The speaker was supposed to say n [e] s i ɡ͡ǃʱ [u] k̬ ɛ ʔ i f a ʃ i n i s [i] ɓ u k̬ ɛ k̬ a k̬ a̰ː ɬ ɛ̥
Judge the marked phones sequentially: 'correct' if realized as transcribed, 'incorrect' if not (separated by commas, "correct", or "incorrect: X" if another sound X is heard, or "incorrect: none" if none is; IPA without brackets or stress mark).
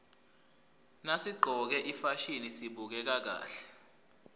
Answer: incorrect: a, incorrect: ɔ, correct